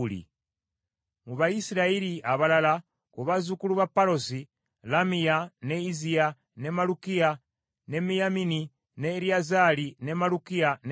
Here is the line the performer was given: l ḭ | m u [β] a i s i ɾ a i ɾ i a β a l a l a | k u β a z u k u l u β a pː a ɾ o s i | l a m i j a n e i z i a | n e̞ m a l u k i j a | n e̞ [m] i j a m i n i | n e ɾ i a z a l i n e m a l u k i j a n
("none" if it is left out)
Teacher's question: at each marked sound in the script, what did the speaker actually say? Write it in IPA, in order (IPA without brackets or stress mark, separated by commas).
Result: β, m